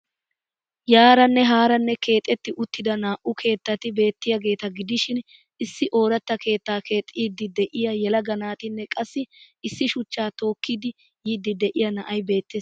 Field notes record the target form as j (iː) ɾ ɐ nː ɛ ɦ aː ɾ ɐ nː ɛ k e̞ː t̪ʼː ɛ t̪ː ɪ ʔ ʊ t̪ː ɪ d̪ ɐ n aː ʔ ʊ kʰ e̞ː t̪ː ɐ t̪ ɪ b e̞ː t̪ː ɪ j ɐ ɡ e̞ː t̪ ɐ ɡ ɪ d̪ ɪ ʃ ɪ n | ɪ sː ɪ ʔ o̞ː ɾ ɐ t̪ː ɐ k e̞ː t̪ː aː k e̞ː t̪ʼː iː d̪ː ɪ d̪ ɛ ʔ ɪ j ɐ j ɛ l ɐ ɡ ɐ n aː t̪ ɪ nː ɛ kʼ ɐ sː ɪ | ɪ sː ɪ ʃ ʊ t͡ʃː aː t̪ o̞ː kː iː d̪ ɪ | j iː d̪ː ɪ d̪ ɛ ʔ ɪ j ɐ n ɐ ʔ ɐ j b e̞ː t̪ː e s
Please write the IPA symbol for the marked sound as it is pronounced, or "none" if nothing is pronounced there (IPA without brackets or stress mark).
aː